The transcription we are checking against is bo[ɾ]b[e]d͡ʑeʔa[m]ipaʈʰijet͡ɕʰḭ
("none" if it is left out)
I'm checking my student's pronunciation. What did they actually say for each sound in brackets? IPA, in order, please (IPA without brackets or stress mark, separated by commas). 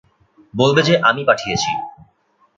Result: l, e, m